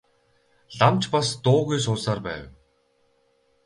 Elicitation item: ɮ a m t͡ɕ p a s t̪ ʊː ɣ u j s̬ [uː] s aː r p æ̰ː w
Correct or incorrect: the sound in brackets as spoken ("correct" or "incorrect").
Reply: incorrect